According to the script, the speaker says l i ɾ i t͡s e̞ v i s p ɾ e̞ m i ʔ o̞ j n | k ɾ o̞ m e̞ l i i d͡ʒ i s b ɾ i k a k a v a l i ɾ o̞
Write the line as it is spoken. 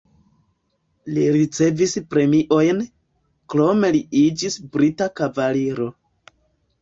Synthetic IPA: l i ɾ i t͡s e̞ v i s p ɾ e̞ m i ʔ o̞ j n | k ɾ o̞ m e̞ l i i d͡ʒ i s b ɾ i t a k a v a l i ɾ o̞